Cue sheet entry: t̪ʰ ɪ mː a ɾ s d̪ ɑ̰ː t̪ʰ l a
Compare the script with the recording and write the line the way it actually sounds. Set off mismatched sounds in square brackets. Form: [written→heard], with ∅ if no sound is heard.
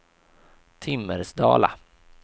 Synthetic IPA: t̪ʰ ɪ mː [a→ə] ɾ s d̪ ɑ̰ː [t̪ʰ→∅] l a